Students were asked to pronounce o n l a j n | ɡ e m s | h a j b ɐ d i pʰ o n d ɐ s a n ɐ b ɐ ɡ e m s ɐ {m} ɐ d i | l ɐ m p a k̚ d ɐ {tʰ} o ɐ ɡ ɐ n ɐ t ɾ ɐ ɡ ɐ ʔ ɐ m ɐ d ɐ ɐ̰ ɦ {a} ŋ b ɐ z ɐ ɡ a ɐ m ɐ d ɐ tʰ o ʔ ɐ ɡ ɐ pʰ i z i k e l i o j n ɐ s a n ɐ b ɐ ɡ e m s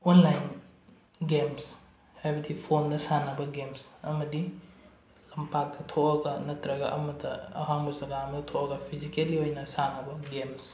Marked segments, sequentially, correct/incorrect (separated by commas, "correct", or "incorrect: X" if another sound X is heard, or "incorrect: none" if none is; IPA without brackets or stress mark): correct, correct, correct